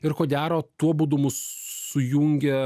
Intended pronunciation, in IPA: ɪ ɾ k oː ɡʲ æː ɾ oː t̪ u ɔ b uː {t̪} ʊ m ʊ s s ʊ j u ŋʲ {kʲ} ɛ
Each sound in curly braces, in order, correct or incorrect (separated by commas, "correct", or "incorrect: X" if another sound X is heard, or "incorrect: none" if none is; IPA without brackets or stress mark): incorrect: d̪, incorrect: ɡʲ